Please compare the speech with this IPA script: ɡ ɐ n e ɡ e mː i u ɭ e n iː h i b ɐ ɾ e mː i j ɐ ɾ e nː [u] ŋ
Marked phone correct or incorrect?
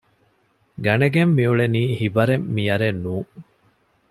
incorrect